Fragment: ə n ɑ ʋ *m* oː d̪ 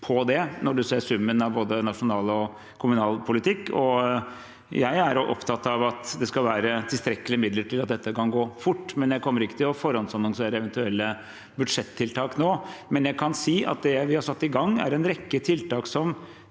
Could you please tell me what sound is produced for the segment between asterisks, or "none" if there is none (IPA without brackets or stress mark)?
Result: b